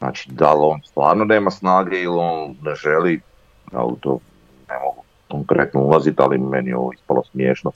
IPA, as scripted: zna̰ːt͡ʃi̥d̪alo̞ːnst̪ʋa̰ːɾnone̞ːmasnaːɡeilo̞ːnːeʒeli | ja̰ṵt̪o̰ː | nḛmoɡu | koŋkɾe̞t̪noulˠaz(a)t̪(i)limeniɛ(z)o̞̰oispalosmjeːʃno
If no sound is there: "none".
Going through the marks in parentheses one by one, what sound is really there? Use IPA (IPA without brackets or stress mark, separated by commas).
i, a, none